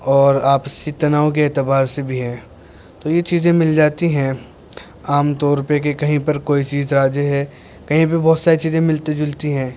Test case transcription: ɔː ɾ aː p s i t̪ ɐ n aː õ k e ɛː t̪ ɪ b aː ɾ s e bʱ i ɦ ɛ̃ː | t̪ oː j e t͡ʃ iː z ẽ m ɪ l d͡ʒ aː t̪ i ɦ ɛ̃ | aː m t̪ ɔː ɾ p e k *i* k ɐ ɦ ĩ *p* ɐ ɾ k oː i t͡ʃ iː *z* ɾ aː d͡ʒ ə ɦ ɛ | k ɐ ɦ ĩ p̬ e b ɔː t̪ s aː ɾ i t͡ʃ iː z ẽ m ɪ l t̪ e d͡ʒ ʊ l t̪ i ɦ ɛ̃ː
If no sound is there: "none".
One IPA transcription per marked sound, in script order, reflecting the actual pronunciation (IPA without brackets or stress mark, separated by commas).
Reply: e, p, z